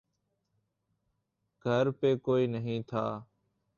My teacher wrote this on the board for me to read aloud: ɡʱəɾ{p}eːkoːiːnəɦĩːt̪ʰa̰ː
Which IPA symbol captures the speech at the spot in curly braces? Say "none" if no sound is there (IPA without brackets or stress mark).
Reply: p